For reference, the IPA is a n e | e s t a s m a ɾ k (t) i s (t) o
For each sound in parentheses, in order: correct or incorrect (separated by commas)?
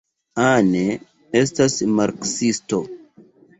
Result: incorrect, correct